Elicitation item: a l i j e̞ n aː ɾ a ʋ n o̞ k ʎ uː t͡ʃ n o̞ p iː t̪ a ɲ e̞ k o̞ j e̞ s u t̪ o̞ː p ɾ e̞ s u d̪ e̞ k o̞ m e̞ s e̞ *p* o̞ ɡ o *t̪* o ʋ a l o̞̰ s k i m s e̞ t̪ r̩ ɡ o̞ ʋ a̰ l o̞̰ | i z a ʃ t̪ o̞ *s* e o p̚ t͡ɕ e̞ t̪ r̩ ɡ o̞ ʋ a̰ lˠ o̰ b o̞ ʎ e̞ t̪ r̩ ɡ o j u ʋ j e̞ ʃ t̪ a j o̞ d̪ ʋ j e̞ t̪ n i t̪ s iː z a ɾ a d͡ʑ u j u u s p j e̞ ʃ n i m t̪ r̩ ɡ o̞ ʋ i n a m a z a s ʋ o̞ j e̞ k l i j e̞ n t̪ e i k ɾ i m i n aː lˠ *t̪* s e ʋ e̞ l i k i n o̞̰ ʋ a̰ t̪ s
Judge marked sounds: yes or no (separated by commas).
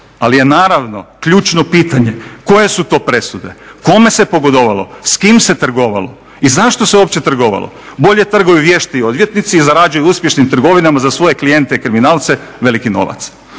yes, no, yes, yes